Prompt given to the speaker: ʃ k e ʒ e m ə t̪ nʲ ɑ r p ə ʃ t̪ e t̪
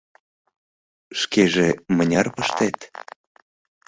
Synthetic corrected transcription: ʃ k e ʒ e m ə nʲ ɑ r p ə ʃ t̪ e t̪